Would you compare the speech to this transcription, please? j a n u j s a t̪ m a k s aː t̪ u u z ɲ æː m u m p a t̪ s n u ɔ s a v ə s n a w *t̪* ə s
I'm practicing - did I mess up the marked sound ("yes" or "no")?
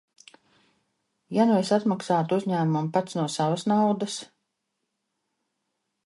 yes